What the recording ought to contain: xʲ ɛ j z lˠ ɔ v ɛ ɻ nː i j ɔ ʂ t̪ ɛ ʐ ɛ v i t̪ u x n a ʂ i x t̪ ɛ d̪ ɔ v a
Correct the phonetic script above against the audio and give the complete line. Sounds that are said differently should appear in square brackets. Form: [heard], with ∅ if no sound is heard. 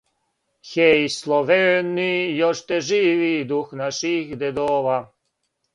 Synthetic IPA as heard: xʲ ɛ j [s] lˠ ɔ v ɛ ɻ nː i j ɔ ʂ t̪ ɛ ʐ [i] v i [d̪] u x n a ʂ i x [d̪] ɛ d̪ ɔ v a